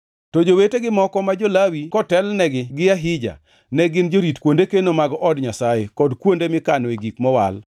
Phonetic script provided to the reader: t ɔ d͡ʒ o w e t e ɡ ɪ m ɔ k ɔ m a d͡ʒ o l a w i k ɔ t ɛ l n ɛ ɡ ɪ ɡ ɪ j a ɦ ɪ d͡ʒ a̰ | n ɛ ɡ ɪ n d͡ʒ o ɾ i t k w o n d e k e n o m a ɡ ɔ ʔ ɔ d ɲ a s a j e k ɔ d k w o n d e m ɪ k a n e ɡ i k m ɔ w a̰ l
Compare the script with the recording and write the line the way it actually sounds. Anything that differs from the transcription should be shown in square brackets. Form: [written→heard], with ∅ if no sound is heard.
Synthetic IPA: t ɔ d͡ʒ o w e t e ɡ ɪ m ɔ k ɔ m a d͡ʒ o l a w i k ɔ t ɛ l n ɛ ɡ ɪ ɡ ɪ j a ɦ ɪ d͡ʒ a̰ | n ɛ ɡ ɪ n d͡ʒ o ɾ i t k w o n d e k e n o m a ɡ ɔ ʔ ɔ d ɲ a s a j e k ɔ d k w o n d e m ɪ k a n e ɡ i k m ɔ w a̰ l